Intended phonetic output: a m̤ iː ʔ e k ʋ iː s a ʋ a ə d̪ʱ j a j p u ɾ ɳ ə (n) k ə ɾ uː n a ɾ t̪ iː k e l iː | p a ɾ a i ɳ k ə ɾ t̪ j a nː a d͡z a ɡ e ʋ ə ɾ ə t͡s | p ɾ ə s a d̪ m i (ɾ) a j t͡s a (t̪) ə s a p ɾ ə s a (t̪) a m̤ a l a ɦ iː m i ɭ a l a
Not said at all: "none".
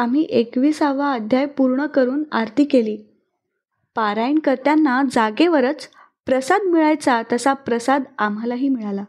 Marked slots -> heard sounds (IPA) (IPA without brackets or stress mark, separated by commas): none, ɭ, t̪, d̪